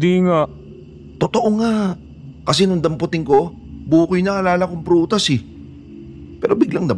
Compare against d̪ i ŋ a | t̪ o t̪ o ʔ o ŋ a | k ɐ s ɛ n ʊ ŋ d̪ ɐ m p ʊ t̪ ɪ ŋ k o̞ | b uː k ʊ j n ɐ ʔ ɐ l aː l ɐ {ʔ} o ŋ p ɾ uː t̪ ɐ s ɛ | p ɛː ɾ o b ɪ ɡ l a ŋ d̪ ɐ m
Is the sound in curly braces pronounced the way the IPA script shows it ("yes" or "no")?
no